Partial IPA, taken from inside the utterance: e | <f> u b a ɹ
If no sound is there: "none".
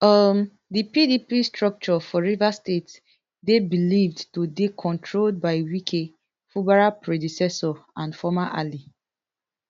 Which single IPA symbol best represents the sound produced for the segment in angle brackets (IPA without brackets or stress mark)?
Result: f